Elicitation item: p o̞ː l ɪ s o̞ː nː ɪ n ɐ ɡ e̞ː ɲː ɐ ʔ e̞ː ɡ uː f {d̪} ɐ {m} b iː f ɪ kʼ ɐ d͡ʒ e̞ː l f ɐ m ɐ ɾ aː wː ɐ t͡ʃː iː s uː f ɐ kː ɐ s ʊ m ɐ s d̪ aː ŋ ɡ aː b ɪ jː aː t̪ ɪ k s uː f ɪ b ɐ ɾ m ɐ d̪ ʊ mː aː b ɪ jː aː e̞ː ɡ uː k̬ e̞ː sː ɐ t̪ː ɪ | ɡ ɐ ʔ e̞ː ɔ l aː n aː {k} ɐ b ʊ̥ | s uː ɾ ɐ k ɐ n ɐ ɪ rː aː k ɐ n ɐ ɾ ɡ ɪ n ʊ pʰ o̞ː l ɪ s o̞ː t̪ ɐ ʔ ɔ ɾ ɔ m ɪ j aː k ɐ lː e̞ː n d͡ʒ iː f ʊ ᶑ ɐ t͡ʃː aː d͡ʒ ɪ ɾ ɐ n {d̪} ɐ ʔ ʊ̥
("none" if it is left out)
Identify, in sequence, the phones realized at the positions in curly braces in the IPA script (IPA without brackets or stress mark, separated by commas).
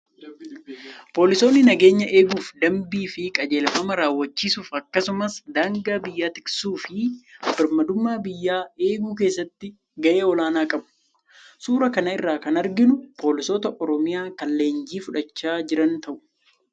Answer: d̪, m, kʼ, t̪